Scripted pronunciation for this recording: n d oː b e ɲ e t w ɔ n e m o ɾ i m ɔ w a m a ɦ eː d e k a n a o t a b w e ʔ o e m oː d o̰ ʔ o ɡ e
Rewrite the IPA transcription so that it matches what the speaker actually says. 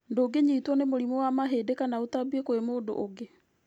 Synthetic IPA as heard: n d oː ɡ e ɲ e t w ɔ n e m o ɾ i m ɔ w a m a ɦ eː d e k a n a o t a b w e k o e m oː d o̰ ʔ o ɡ e